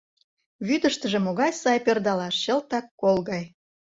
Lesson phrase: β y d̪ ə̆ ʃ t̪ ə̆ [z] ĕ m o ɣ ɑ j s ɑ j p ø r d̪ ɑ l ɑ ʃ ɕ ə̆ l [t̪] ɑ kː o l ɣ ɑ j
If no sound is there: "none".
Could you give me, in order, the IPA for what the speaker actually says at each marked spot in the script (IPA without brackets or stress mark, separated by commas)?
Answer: ʒ, t̪